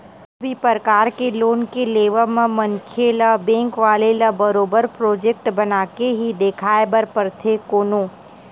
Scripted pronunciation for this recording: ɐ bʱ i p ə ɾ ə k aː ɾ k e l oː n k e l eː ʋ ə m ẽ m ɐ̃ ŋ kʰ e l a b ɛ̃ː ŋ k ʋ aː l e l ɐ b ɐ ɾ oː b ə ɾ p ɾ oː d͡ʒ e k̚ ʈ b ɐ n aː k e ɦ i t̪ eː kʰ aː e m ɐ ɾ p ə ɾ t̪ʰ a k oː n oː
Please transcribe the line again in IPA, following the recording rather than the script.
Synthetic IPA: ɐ bʱ i p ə ɾ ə k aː ɾ k e l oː n k e l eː ʋ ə m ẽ m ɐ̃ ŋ kʰ e l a b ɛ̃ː ŋ k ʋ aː l e l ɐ b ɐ ɾ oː b ə ɾ p ɾ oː d͡ʒ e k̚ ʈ b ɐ n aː k e ɦ i d̪ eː kʰ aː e b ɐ ɾ p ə ɾ t̪ʰ e k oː n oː